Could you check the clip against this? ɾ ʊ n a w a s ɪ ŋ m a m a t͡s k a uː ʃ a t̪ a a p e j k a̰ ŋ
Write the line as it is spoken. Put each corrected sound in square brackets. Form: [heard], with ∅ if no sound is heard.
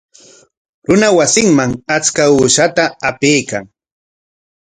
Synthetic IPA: ɾ ʊ n a w a s ɪ ŋ m a [ŋ] a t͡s k a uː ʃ a t̪ a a p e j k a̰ ŋ